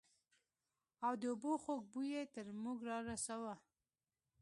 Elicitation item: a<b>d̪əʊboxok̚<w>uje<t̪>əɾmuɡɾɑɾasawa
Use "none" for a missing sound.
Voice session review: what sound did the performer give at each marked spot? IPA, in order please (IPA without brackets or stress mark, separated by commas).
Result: w, b, t̪